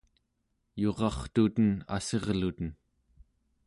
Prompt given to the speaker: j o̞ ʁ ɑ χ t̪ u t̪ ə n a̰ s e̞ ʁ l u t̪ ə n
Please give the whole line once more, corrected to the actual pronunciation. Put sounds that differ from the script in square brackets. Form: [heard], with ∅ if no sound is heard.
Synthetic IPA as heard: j o̞ ʁ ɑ χ t̪ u t̪ ə n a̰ s e̞ ʁ l u t̪ ə n